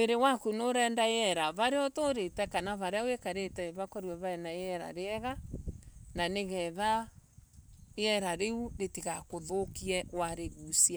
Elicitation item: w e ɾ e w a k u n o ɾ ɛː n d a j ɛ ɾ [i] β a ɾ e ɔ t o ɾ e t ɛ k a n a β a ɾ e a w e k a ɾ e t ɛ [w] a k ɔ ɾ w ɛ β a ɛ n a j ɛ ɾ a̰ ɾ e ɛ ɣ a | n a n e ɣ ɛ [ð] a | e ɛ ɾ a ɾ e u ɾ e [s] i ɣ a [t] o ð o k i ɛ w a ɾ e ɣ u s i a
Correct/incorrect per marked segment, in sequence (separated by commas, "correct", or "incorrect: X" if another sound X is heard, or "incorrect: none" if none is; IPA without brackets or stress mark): incorrect: a, incorrect: β, correct, incorrect: t, incorrect: k